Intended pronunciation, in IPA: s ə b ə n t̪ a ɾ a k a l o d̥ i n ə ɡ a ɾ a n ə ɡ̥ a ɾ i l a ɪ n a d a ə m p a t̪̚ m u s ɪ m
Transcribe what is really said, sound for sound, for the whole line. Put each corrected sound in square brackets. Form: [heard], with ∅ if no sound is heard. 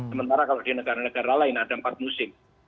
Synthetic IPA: s ə [m] ə n t̪ a ɾ a k a l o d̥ i n ə ɡ a ɾ a n ə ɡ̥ a ɾ [a] l a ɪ n a d a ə m p a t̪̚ m u s ɪ m